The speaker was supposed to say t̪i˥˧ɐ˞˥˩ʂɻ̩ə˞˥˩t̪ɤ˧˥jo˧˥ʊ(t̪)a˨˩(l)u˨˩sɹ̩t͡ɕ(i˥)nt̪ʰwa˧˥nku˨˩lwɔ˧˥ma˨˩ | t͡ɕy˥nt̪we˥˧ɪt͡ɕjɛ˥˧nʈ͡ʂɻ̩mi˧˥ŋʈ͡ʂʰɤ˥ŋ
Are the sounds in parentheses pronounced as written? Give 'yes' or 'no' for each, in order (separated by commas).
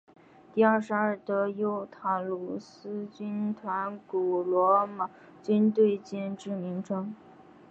no, yes, no